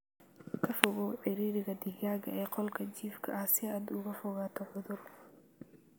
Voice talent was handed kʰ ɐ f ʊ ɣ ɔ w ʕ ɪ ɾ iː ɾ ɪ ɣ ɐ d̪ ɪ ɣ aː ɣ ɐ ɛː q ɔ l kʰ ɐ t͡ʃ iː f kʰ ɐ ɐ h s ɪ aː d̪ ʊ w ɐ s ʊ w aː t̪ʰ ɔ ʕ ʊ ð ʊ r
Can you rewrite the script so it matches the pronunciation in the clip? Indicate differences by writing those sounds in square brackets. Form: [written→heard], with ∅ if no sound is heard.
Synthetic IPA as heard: kʰ ɐ f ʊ ɣ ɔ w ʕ ɪ ɾ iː ɾ ɪ ɣ ɐ d̪ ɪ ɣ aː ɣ ɐ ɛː q ɔ l kʰ ɐ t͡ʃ iː f kʰ ɐ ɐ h s ɪ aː d̪ ʊ [w→ɣ] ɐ [s→f] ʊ [w→ɣ] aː t̪ʰ ɔ ʕ ʊ ð ʊ r